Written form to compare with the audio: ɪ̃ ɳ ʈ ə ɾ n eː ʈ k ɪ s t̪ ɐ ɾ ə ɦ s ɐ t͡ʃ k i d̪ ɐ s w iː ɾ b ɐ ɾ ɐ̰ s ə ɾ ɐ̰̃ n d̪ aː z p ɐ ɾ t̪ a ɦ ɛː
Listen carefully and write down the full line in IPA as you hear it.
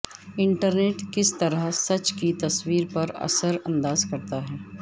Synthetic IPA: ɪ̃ ɳ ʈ ə ɾ n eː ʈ k ɪ s t̪ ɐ ɾ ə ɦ s ɐ t͡ʃ k i t̪ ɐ s w iː ɾ p ɐ ɾ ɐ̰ s ə ɾ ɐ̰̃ n d̪ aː z k ɐ ɾ t̪ a ɦ ɛː

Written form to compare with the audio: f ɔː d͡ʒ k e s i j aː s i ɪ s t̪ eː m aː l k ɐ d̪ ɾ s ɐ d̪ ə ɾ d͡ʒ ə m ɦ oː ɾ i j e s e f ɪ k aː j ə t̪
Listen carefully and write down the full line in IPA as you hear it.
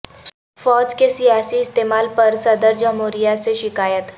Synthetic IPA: f ɔː d͡ʒ k e s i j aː s i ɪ s t̪ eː m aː l p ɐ ɾ s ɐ d̪ ə ɾ d͡ʒ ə m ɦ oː ɾ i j a s e ʃ ɪ k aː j ə t̪

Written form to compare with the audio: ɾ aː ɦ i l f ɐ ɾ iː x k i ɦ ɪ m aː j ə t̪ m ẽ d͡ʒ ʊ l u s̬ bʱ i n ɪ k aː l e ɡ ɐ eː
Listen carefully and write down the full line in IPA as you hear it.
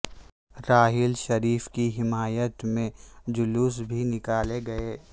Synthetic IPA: ɾ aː ɦ ɪ l ʃ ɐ ɾ iː f k i ɦ ɪ m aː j ə t̪ m ẽ d͡ʒ ʊ l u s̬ bʱ i n ɪ k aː l e ɡ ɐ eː

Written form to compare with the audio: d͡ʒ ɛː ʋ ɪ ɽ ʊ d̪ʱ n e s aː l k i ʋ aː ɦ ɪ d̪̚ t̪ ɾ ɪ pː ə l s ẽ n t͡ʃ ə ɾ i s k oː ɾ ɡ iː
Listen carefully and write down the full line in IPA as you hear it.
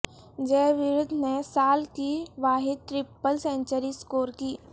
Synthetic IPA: d͡ʒ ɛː ʋ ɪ ɾ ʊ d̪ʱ n e s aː l k i ʋ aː ɦ ɪ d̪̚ t̪ ɾ ɪ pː ə l s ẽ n t͡ʃ ə ɾ i s k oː ɾ k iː

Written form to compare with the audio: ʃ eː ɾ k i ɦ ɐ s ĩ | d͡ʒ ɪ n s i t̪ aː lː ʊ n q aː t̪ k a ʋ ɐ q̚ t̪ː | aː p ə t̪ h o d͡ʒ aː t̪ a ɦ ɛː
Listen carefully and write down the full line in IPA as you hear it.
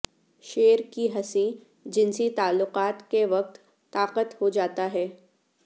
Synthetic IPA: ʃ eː ɾ k i ɦ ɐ s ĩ | d͡ʒ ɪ n s i t̪ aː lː ʊ q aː t̪ k e ʋ ɐ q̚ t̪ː | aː q ə t̪ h o d͡ʒ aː t̪ a ɦ ɛː

